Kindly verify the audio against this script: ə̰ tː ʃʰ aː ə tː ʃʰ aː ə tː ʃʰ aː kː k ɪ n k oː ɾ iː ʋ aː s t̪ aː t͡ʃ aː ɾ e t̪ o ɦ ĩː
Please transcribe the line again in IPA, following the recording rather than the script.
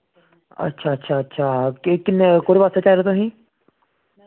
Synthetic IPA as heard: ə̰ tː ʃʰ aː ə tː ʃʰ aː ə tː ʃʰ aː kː k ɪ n k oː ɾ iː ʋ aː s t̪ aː t͡ʃ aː ɾ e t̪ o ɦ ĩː